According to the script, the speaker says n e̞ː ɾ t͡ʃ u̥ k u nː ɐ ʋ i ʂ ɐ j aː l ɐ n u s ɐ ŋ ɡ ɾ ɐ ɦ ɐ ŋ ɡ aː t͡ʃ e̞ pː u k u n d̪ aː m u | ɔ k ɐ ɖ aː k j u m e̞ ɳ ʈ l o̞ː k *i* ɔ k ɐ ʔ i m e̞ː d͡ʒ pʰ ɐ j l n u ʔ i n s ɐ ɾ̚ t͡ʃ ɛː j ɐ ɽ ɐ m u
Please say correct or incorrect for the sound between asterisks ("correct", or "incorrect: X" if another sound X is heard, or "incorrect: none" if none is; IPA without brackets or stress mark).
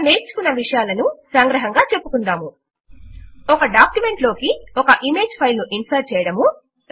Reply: correct